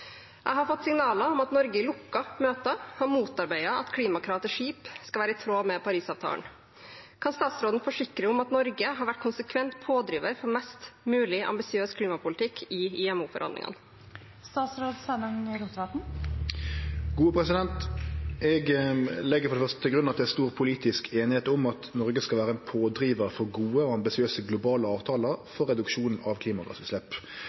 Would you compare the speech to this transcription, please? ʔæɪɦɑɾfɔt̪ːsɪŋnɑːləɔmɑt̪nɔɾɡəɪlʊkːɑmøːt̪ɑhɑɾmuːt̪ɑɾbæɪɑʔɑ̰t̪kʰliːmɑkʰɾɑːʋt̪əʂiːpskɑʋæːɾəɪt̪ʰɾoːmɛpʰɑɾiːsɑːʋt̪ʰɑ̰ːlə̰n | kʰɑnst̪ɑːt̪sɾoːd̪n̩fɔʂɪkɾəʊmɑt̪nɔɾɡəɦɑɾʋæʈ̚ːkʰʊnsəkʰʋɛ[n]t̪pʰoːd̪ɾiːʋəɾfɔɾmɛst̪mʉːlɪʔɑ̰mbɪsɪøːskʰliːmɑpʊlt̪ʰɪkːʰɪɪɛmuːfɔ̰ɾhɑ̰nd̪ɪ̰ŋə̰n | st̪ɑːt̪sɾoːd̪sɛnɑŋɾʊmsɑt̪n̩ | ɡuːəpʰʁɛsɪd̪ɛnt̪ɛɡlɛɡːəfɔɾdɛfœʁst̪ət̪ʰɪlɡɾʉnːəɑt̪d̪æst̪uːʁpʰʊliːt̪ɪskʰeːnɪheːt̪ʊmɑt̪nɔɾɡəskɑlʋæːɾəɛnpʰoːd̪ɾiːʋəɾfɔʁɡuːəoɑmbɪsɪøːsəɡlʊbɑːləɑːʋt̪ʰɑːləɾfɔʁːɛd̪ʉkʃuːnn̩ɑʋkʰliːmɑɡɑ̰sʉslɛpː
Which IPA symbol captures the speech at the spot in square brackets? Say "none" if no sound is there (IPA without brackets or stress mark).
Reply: n